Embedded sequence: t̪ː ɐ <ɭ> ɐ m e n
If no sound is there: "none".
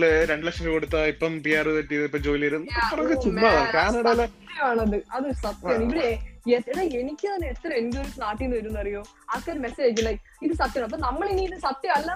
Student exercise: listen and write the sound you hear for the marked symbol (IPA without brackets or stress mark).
ɾ